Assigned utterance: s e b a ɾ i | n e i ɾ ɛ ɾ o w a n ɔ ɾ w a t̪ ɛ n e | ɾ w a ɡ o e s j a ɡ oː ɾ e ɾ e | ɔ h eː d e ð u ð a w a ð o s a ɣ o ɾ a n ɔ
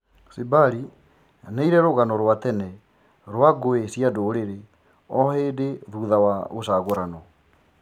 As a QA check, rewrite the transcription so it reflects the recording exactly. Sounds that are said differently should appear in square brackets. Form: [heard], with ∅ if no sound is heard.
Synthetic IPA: s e b a ɾ i | n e i ɾ ɛ ɾ o [ɣ] a n ɔ ɾ w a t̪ ɛ n [ɛ] | ɾ w a ɡ o e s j a [d] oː ɾ e ɾ e | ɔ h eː d e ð u ð a w a [ɣ] o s a ɣ o ɾ a n ɔ